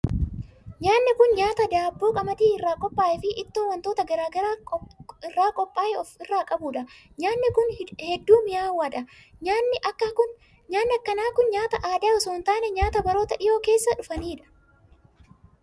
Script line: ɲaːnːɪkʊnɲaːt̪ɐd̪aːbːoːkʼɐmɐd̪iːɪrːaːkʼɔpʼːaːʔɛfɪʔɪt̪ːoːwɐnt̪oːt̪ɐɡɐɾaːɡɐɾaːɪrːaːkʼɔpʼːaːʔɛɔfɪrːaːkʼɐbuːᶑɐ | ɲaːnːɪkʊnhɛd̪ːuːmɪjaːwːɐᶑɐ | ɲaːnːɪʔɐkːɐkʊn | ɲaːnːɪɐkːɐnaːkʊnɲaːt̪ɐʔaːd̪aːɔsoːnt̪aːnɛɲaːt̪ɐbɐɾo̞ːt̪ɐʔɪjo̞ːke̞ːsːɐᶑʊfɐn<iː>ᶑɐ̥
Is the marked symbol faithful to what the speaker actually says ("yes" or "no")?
yes